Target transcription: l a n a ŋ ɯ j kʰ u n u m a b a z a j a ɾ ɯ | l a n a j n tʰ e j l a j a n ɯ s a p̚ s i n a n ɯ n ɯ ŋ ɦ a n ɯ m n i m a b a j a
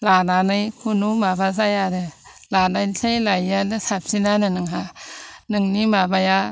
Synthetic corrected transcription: l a n a n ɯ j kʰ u n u m a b a z a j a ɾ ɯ | l a n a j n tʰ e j l a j a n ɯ s a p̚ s i n a n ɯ n ɯ ŋ ɦ a n ɯ ŋ n i m a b a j a